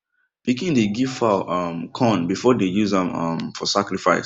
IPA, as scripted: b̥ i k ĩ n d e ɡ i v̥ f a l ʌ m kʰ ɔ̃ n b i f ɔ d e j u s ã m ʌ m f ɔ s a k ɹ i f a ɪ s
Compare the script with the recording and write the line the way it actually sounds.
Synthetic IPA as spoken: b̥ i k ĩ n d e ɡ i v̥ f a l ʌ m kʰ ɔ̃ n b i f ɔ d e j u z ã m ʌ m f ɔ s a k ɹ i f a ɪ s